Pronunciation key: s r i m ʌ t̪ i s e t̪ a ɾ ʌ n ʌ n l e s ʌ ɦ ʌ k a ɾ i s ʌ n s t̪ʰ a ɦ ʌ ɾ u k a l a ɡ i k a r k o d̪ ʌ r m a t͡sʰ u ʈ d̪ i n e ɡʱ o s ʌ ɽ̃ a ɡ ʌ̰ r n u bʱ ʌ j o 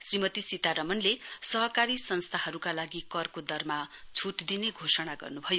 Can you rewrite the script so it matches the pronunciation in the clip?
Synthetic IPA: s r i m ʌ t̪ i s i t̪ a ɾ ʌ m ʌ n l e s ʌ ɦ ʌ k a ɾ i s ʌ n s t̪ʰ a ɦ ʌ ɾ u k a l a ɡ i k ʌ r k o d̪ ʌ r m a t͡sʰ u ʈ d̪ i n e ɡʱ o s ʌ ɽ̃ a ɡ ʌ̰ r n u bʱ ʌ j o